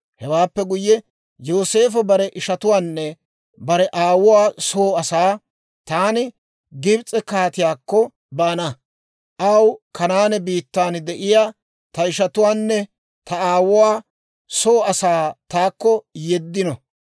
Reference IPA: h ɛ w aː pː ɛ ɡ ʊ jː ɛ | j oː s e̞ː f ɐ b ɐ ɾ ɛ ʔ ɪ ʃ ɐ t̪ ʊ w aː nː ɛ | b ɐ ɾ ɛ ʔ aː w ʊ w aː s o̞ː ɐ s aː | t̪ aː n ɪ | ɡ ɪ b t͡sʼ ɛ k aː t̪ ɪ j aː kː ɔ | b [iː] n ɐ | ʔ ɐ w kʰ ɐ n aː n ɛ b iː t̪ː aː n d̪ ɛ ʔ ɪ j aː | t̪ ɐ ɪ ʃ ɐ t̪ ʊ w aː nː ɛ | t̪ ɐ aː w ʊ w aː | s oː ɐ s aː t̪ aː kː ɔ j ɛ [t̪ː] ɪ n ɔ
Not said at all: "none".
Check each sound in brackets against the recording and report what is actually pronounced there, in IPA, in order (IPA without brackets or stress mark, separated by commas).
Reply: aː, d̪ː